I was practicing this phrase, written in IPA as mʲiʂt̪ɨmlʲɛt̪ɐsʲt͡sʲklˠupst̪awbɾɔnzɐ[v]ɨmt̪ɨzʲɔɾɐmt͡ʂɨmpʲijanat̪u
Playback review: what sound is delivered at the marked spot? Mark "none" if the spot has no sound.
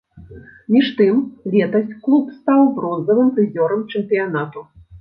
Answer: v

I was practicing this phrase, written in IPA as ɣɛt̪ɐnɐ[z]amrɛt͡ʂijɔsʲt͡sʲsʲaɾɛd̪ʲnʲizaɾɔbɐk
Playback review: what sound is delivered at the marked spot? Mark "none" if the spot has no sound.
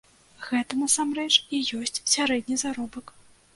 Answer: s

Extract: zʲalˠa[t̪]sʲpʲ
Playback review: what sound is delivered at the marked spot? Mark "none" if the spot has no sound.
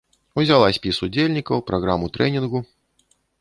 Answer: none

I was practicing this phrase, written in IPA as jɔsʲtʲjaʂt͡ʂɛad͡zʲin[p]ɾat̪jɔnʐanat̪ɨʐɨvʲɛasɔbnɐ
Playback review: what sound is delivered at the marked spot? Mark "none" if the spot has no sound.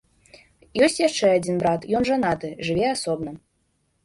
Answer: b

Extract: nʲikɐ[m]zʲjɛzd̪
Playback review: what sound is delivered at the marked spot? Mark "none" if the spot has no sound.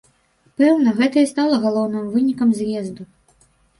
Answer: m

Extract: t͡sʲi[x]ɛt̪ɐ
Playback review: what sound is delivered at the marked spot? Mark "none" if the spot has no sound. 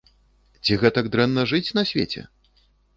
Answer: ɣ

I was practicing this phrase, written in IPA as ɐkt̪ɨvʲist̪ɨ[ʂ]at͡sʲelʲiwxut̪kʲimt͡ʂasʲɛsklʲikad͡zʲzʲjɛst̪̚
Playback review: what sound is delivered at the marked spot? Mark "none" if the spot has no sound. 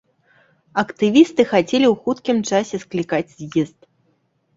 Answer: x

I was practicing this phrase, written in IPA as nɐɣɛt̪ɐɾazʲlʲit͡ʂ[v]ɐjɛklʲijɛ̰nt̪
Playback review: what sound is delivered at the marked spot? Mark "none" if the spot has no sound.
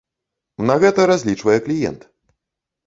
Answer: v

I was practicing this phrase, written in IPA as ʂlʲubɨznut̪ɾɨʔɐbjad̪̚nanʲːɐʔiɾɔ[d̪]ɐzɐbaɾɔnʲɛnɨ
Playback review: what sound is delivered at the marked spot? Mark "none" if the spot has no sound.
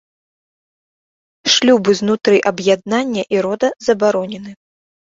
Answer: d̪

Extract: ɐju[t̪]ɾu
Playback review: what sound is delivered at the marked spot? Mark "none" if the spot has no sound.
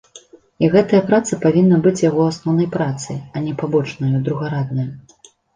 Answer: d̪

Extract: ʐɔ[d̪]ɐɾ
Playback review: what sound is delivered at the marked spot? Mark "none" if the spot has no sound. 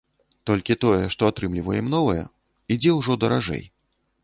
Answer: d̪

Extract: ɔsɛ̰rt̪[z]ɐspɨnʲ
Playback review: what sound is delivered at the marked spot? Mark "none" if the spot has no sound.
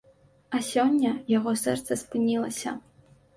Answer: s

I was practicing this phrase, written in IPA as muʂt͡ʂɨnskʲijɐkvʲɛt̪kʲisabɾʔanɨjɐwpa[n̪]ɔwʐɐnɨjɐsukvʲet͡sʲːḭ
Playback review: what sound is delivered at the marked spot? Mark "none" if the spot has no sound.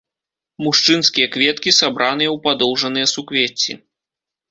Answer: d̪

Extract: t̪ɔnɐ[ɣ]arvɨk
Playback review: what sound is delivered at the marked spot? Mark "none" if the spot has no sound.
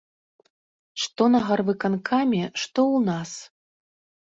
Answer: ɣ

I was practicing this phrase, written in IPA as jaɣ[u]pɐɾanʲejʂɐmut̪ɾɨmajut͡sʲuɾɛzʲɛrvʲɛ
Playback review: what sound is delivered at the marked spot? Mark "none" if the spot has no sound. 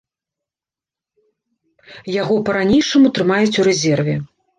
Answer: ɔ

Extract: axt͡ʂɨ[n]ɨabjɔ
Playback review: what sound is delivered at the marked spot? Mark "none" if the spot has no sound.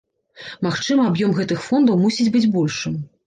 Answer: m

